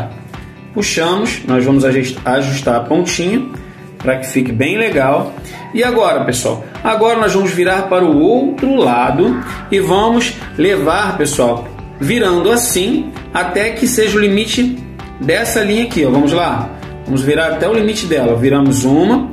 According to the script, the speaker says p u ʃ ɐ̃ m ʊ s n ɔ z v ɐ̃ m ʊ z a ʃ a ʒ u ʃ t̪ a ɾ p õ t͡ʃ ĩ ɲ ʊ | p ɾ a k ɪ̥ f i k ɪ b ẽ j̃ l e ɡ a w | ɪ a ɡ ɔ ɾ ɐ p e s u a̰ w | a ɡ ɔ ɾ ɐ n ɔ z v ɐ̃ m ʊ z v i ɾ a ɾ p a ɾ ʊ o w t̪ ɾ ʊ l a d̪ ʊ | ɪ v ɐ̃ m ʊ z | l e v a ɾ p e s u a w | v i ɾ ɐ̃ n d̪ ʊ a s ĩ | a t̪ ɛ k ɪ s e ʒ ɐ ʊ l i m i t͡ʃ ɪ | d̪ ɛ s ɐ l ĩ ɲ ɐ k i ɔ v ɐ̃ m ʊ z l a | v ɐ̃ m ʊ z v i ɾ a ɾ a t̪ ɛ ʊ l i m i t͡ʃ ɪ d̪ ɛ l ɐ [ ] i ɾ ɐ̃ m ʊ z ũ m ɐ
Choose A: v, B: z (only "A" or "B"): A